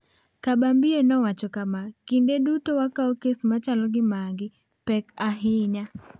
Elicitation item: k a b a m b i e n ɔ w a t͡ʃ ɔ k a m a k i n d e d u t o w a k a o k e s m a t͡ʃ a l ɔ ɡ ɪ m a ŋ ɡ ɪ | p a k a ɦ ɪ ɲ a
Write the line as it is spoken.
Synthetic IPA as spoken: k a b a m b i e n ɔ w a t͡ʃ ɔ k a m a k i n d e d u t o w a k a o k e s m a t͡ʃ a l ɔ ɡ ɪ m a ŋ ɡ ɪ | p ɛ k a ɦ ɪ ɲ a

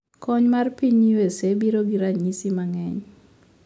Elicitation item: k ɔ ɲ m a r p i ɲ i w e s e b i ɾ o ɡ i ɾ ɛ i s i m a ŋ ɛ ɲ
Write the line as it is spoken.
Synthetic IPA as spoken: k ɔ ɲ m a r p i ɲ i w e s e b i ɾ o ɡ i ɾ a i s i m a ŋ ɛ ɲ

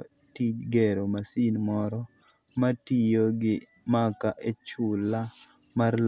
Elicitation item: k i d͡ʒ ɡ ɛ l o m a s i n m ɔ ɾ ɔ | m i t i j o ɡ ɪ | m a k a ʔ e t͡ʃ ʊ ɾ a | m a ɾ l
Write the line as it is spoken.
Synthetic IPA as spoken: t i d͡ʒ ɡ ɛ ɾ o m a s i n m ɔ ɾ ɔ | m a t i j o ɡ ɪ | m a k a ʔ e t͡ʃ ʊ l a | m a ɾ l

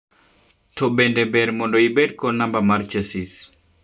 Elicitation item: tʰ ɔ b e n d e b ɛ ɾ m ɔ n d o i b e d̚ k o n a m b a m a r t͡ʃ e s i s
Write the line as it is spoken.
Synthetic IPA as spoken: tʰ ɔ b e n d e b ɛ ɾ m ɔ n d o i b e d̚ k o n a m b a m a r t͡ʃ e s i s

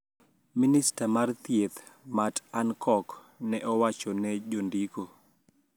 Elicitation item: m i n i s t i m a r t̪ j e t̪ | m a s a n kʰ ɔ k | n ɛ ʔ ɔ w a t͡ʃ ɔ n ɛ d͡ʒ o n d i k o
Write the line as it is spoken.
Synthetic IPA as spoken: m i n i s t a m a r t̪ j e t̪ | m a t a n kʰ ɔ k | n ɛ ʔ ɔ w a t͡ʃ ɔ n ɛ d͡ʒ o n d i k o

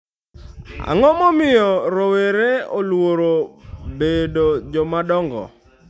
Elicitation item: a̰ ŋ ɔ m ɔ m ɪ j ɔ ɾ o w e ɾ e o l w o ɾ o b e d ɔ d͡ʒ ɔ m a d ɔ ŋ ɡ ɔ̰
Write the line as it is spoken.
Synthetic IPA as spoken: a̰ ŋ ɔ m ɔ m ɪ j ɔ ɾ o w e ɾ e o l w o ɾ o b e d o d͡ʒ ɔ m a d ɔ ŋ ɡ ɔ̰

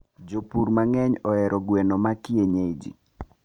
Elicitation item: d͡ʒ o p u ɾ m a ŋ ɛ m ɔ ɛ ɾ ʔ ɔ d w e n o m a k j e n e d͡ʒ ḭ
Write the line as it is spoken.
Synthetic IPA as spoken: d͡ʒ o p u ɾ m a ŋ ɛ ɲ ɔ ɛ ɾ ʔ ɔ ɡ w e n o m a k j e ɲ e d͡ʒ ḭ

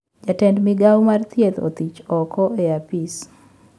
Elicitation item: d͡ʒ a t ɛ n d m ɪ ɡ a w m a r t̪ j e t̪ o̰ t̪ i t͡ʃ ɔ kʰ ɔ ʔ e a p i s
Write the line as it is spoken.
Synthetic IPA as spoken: d͡ʒ a t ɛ n d m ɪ ɡ a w m a r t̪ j e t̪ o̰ t̪ i t͡ʃ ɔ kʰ ɔ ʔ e a p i s

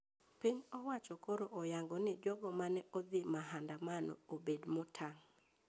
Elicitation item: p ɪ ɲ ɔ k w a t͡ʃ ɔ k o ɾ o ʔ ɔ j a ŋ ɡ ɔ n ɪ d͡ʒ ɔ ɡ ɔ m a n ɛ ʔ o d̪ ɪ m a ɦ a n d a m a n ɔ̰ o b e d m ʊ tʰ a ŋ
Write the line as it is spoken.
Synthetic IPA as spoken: p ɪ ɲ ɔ w a t͡ʃ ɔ k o ɾ o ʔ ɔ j a ŋ ɡ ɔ n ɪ d͡ʒ ɔ ɡ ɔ m a n ɛ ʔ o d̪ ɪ m a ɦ a n d a m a n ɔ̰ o b e d m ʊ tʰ a ŋ

